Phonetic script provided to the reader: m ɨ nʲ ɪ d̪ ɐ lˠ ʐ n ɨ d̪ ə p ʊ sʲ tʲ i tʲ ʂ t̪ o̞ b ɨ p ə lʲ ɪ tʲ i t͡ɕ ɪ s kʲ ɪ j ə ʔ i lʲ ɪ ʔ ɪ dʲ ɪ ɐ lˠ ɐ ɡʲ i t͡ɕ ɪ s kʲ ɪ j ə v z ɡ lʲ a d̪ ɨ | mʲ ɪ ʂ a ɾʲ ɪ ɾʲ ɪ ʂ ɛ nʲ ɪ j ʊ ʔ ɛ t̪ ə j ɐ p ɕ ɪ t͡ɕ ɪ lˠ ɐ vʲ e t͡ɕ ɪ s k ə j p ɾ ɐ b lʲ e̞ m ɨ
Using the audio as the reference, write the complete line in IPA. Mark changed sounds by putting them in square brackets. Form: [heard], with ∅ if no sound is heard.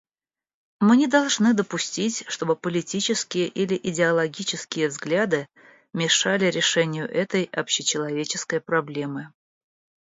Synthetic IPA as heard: m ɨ nʲ ɪ d̪ ɐ lˠ ʐ n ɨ d̪ ə p ʊ sʲ tʲ i tʲ ʂ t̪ o̞ b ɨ p ə lʲ ɪ tʲ i t͡ɕ ɪ s kʲ ɪ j ə ʔ i lʲ ɪ ʔ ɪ dʲ ɪ ɐ lˠ ɐ ɡʲ i t͡ɕ ɪ s kʲ ɪ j ə v z ɡ lʲ a d̪ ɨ | mʲ ɪ ʂ a [lʲ] ɪ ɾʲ ɪ ʂ ɛ nʲ ɪ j ʊ ʔ ɛ t̪ ə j ɐ p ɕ ɪ t͡ɕ ɪ lˠ ɐ vʲ e t͡ɕ ɪ s k ə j p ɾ ɐ b lʲ e̞ m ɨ